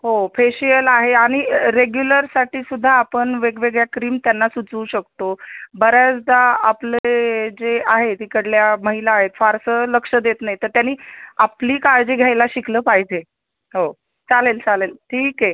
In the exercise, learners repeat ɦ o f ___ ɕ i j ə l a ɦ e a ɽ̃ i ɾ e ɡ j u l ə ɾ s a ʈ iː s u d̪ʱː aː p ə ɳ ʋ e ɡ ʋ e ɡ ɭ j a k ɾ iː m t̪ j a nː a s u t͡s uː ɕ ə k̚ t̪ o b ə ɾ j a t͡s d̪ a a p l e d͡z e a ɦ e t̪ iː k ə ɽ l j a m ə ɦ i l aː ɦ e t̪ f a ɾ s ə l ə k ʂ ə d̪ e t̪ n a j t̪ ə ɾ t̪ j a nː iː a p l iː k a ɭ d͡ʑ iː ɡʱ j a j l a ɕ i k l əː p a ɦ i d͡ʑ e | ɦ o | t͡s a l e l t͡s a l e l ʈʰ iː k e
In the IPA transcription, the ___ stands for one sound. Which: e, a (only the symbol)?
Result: e